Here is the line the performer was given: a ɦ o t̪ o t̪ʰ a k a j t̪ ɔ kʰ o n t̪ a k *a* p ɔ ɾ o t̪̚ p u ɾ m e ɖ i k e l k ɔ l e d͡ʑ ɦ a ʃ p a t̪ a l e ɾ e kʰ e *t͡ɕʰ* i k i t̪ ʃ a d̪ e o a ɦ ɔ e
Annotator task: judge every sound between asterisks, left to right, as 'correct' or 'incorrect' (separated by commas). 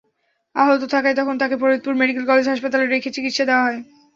incorrect, incorrect